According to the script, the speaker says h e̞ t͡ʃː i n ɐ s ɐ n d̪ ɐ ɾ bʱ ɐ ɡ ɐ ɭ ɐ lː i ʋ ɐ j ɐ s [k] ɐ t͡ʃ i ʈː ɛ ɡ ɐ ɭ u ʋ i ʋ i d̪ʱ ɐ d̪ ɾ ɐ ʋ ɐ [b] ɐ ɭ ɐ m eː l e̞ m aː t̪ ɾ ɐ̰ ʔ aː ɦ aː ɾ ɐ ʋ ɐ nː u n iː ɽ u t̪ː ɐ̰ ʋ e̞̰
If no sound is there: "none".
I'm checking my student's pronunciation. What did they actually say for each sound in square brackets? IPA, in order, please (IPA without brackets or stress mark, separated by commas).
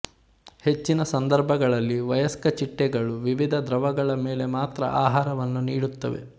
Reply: k, ɡ